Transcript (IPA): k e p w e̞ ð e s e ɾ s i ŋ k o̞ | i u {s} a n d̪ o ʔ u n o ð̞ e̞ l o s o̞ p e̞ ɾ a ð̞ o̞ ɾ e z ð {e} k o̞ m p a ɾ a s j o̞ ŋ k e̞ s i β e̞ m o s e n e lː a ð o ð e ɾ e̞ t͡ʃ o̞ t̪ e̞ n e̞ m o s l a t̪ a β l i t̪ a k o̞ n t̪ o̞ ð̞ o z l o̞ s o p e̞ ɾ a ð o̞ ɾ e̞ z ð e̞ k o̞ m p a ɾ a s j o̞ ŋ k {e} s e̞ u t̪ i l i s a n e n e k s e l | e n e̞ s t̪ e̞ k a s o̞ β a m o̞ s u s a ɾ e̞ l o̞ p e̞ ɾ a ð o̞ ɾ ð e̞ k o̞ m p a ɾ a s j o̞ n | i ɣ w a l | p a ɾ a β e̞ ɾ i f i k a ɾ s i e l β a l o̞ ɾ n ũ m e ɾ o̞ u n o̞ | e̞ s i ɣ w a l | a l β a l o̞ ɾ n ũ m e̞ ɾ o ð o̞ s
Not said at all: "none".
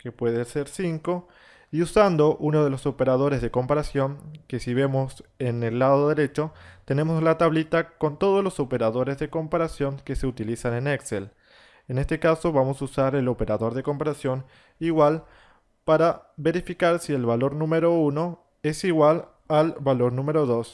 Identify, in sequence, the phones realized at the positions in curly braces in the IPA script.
s, e, e

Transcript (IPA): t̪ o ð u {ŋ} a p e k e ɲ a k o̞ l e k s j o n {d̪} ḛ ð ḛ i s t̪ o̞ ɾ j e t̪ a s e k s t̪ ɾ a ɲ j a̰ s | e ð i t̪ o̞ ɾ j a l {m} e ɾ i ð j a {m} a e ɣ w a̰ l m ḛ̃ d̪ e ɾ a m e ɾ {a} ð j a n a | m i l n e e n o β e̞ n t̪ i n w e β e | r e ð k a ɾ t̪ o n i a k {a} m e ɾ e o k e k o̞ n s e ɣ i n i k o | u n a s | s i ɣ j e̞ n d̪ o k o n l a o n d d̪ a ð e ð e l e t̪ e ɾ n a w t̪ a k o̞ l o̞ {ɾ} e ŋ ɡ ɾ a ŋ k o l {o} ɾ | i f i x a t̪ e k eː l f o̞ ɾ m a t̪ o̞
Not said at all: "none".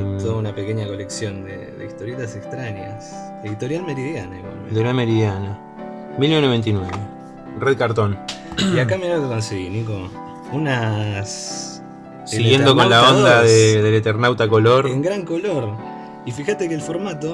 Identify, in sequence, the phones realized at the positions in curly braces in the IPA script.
n, d̪, m, n, i, a, ɾ, o

